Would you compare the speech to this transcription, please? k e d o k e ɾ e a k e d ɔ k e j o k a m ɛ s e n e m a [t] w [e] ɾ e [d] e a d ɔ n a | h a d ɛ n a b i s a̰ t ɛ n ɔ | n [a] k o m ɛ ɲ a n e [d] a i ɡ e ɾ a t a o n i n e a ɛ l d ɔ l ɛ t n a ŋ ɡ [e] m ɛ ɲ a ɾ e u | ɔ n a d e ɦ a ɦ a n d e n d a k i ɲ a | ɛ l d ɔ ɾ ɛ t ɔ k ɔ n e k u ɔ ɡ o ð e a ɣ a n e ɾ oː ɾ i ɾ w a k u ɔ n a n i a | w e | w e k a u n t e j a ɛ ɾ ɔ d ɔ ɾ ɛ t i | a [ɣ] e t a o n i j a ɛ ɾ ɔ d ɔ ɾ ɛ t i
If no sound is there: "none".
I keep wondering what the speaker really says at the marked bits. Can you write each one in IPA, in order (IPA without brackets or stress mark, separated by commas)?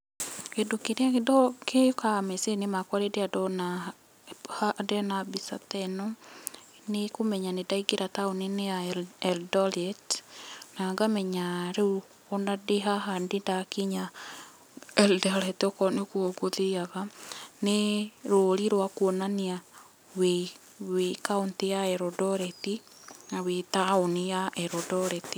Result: k, a, d, e, d, a, w